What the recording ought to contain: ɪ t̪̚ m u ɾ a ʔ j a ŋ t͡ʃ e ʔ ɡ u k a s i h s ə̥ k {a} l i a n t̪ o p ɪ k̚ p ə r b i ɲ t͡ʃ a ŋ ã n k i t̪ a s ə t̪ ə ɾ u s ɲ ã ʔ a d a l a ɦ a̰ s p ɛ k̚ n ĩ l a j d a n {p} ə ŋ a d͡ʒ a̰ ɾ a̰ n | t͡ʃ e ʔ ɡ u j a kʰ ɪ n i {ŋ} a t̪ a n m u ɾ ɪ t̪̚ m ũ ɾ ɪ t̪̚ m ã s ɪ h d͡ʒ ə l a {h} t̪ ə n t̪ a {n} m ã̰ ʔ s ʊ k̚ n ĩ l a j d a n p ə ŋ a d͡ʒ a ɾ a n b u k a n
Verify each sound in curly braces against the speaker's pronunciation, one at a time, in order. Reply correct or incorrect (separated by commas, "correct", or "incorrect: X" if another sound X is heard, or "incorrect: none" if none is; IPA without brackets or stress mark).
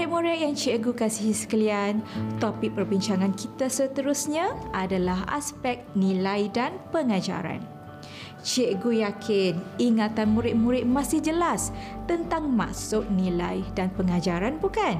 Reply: incorrect: ə, correct, correct, incorrect: s, incorrect: ŋ